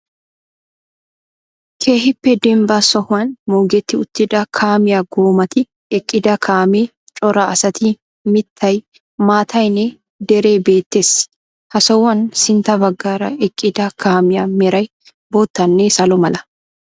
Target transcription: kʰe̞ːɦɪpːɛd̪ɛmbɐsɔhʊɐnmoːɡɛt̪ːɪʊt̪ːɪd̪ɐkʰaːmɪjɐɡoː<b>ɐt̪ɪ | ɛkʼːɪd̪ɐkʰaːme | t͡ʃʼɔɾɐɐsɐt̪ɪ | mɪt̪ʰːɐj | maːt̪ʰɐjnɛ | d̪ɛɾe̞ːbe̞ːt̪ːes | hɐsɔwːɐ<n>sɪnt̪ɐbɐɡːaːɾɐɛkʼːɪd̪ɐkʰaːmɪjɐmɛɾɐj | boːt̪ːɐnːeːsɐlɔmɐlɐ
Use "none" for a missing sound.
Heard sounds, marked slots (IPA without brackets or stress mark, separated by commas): m, n